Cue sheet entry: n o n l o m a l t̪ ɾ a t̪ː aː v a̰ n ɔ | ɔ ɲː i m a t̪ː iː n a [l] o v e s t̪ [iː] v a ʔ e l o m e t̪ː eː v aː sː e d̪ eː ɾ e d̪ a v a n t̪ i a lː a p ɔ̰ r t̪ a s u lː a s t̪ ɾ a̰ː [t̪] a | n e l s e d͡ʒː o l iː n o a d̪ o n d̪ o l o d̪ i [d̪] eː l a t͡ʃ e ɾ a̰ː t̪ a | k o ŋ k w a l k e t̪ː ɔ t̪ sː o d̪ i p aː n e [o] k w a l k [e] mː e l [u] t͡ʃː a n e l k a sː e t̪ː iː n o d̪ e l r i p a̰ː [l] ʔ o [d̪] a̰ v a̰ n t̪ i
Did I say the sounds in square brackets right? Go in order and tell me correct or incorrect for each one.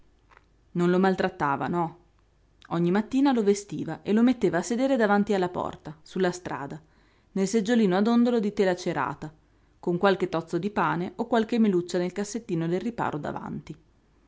correct, correct, incorrect: d̪, incorrect: t̪, correct, correct, correct, incorrect: ɾ, correct

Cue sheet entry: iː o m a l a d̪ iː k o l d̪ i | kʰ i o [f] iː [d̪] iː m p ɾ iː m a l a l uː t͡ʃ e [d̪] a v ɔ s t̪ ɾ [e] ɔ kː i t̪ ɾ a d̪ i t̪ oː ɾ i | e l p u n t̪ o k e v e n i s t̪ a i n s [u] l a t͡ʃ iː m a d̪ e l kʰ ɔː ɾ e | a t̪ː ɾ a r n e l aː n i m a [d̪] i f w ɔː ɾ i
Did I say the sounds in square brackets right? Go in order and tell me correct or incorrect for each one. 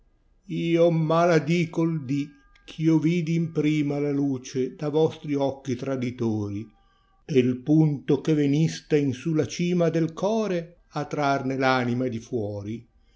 incorrect: v, correct, correct, incorrect: i, correct, correct

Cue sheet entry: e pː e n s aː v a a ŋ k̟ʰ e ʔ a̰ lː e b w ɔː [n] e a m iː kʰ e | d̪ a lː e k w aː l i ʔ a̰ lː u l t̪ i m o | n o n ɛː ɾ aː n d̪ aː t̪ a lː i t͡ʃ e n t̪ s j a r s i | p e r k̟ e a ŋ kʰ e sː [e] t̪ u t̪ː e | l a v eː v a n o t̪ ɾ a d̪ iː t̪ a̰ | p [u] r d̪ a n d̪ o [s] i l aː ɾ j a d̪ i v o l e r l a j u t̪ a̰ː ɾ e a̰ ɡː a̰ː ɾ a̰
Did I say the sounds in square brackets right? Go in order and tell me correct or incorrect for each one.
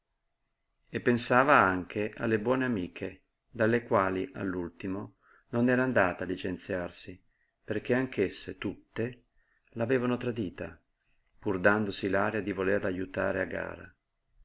correct, correct, correct, correct

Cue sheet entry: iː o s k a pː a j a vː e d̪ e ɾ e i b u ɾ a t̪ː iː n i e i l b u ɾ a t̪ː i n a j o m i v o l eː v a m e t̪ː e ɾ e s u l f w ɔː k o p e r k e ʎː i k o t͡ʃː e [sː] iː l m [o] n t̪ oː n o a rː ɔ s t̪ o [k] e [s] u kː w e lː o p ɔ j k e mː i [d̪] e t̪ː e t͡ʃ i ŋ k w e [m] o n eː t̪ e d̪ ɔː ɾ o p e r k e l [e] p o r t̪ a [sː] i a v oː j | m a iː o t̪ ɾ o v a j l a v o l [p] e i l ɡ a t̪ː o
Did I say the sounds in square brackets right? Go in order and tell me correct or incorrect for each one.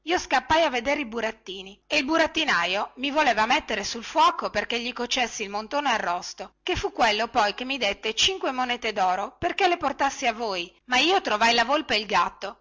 correct, correct, correct, incorrect: f, correct, correct, correct, correct, correct

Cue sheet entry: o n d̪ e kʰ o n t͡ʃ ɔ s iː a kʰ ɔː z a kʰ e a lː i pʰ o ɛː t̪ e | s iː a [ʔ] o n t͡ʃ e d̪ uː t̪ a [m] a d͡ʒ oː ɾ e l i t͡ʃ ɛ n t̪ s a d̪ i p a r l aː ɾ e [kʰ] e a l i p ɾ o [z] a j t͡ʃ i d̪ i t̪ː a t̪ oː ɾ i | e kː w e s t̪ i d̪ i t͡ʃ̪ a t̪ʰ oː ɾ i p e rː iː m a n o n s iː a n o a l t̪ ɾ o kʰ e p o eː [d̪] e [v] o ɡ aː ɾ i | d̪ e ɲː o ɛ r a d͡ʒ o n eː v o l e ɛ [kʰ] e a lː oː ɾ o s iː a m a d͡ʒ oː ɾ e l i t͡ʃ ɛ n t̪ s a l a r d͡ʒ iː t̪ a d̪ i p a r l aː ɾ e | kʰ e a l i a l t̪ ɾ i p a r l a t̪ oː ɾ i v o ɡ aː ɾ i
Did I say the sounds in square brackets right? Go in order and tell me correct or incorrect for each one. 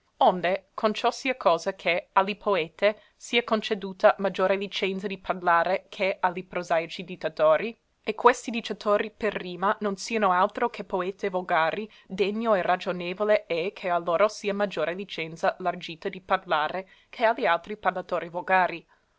incorrect: k, correct, correct, correct, incorrect: t̪, correct, correct

